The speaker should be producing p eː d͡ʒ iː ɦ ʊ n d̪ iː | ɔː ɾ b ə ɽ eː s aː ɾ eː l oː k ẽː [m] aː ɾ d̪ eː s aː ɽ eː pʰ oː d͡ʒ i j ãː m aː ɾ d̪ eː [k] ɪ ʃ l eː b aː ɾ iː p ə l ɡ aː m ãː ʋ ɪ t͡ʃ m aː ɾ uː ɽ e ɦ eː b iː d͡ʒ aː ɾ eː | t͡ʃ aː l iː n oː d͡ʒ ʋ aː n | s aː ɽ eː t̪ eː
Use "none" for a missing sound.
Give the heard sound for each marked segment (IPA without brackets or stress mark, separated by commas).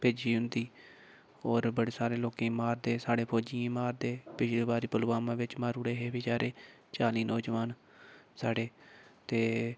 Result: m, p